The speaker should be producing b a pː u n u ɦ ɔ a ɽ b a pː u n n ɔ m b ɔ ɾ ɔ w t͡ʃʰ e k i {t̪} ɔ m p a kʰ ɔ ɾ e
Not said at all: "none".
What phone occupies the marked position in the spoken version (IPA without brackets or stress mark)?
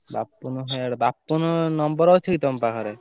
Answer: t̪